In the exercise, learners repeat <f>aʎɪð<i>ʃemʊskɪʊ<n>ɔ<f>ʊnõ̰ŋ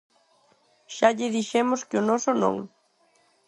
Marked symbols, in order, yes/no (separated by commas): no, yes, yes, no